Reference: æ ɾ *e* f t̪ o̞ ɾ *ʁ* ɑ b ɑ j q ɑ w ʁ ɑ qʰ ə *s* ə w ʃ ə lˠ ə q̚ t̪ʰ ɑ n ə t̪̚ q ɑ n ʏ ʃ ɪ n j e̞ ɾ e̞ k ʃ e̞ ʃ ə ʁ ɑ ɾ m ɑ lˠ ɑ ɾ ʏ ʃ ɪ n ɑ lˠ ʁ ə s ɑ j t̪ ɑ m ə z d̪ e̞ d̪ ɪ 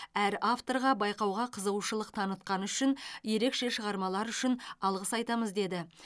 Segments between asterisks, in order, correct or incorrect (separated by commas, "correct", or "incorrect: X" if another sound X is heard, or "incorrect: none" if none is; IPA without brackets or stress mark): incorrect: a, correct, incorrect: z